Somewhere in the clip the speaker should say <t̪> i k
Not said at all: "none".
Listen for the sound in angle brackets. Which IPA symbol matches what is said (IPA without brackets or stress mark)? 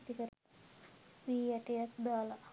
t̪